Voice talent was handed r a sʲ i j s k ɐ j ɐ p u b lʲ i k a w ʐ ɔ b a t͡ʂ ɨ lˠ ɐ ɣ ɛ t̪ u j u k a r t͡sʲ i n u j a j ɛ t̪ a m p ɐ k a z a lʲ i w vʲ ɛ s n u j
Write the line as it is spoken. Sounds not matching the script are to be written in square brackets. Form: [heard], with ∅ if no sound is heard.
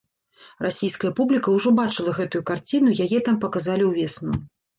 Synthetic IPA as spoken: r a sʲ i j s k ɐ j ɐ p u b lʲ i k [ɐ] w ʐ ɔ b a t͡ʂ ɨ lˠ ɐ ɣ ɛ t̪ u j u k a r t͡sʲ i n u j a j ɛ t̪ a m p ɐ k a z a lʲ i w vʲ ɛ s n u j